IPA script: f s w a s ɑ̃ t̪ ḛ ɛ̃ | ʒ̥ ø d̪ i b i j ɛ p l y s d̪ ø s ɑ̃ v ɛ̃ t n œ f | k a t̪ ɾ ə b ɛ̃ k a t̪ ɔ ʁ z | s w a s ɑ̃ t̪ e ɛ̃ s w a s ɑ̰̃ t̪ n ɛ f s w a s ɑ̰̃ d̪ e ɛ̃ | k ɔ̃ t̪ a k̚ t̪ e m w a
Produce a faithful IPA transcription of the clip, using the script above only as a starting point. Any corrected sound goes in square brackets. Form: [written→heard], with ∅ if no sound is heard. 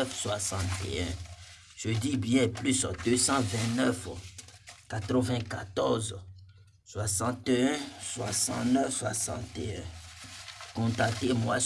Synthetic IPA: f s w a s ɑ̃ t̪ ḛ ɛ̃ | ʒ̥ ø d̪ i b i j ɛ p l y s d̪ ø s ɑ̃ v ɛ̃ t n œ f | k a t̪ ɾ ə [b→v] ɛ̃ k a t̪ ɔ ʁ z | s w a s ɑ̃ t̪ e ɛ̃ s w a s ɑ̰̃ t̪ n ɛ f s w a s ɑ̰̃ [d̪→t̪] e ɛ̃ | k ɔ̃ t̪ a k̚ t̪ e m w a